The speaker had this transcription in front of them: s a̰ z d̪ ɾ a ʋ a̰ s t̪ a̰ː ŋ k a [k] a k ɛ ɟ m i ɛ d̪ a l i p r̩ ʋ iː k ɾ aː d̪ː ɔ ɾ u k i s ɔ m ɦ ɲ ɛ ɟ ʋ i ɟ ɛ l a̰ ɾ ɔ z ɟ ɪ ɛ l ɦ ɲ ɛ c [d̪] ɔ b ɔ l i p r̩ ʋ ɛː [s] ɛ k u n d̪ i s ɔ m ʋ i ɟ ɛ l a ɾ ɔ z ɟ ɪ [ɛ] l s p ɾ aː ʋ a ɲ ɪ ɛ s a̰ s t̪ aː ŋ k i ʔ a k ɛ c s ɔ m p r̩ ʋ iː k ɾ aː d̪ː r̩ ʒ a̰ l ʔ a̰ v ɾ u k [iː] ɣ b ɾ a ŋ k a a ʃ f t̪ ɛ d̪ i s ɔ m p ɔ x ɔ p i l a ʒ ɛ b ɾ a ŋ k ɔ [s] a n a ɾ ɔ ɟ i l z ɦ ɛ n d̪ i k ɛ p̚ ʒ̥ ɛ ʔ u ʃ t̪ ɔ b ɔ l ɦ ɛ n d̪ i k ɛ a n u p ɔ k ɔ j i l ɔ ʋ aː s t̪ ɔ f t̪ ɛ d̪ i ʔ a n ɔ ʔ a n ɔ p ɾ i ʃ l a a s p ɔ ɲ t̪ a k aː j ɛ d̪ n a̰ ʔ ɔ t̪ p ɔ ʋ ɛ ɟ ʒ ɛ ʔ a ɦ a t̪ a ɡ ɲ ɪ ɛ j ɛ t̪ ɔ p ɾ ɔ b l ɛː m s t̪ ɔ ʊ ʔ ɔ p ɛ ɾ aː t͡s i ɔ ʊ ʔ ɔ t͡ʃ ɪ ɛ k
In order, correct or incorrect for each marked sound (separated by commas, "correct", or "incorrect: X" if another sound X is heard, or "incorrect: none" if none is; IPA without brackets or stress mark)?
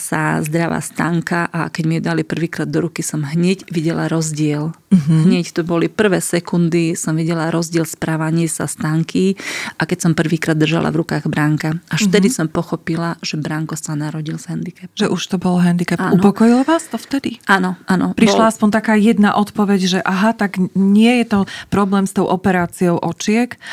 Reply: incorrect: ʔ, incorrect: t̪, correct, correct, incorrect: aː, correct